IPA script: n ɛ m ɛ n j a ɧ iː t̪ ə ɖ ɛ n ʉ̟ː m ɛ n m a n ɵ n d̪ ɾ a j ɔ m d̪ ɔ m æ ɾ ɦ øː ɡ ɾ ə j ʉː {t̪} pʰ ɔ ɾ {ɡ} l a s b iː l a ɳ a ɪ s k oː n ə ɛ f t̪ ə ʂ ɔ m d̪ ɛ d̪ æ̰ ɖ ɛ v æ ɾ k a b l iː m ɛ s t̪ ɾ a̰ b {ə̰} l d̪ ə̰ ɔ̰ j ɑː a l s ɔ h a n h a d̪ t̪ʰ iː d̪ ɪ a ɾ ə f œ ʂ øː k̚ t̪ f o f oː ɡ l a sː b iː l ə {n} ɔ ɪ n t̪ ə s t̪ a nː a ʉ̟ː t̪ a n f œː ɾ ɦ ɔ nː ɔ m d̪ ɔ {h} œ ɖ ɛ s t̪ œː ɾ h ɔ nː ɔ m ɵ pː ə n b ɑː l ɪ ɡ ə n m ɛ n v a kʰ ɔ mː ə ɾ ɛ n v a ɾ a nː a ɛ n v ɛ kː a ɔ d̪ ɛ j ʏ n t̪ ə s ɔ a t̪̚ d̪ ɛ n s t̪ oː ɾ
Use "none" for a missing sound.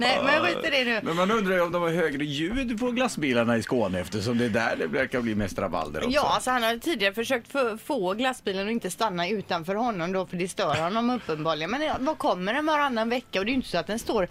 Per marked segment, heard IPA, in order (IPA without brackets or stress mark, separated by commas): d̪, ɡ, a̰, n, f